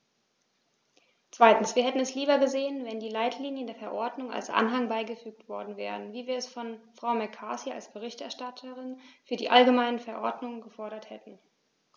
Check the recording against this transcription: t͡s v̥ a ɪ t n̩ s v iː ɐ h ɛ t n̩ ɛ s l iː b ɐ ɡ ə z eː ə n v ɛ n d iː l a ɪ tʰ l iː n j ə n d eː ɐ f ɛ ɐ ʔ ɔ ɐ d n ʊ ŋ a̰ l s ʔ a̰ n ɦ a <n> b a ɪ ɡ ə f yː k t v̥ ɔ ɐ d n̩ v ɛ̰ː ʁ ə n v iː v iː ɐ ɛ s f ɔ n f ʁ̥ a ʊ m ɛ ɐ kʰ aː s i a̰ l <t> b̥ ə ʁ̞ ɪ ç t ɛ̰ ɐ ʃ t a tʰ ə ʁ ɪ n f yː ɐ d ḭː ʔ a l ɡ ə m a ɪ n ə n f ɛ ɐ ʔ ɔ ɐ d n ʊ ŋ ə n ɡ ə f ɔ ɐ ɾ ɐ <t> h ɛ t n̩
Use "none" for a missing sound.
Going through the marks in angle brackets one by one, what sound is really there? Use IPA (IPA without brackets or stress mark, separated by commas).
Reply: ŋ, s, t